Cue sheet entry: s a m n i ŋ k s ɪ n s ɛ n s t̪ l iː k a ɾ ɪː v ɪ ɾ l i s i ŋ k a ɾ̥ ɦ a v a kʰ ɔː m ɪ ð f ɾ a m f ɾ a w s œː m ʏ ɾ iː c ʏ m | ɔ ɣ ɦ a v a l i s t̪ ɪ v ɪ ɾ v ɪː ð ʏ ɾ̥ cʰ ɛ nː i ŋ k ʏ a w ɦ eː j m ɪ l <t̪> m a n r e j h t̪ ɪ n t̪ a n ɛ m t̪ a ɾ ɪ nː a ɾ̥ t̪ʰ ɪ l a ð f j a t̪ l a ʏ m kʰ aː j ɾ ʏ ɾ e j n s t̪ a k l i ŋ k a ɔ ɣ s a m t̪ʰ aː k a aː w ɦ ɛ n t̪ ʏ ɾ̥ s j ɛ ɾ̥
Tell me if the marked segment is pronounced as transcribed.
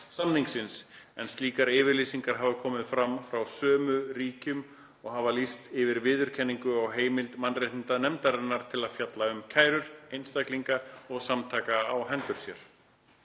yes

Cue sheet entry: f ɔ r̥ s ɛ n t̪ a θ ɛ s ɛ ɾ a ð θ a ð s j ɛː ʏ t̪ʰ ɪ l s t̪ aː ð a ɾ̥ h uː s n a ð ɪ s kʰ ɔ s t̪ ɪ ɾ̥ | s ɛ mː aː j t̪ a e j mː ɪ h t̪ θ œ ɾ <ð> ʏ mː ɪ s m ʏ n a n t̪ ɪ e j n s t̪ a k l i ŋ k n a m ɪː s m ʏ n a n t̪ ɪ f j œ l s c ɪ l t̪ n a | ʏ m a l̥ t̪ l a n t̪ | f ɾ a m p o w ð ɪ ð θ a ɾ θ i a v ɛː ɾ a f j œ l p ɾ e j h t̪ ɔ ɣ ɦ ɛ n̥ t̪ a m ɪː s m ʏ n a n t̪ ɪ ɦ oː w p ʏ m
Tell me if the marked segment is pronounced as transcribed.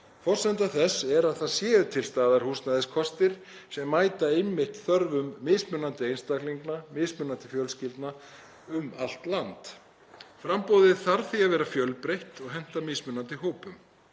no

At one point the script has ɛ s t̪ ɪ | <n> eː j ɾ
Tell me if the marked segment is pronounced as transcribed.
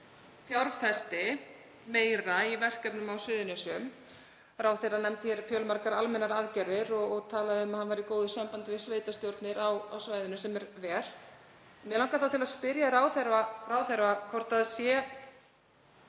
no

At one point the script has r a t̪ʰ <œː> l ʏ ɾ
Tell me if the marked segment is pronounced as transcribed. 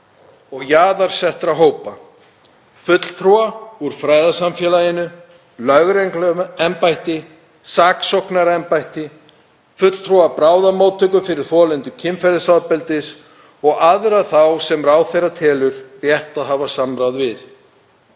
no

